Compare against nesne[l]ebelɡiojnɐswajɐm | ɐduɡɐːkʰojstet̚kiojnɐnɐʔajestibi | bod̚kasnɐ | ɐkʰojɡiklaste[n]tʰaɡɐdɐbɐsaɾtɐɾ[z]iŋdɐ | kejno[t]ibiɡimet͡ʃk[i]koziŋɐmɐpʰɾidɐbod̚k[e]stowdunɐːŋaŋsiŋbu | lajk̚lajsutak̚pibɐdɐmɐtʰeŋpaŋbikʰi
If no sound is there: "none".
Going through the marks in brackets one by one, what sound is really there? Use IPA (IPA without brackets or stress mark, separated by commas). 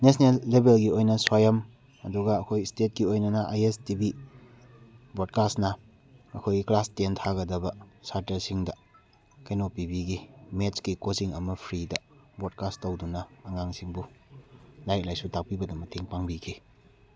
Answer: lː, n, s, p, i, a